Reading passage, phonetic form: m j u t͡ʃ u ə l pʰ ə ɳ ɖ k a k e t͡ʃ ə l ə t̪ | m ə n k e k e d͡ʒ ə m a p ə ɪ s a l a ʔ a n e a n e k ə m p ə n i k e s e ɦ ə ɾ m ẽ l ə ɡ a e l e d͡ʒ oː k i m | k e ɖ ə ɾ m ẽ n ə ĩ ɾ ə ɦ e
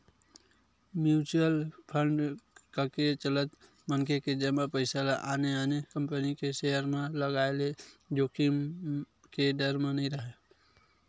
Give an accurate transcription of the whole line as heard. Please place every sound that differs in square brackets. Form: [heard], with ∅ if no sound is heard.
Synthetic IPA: m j u t͡ʃ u ə l pʰ ə ɳ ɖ k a k e t͡ʃ ə l ə t̪ | m ə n k e k e d͡ʒ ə m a p ə ɪ s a l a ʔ a n e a n e k ə m p ə n i k e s e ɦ ə ɾ m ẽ l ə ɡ a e l e d͡ʒ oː k i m | k e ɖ ə ɾ m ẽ n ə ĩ ɾ ə ɦ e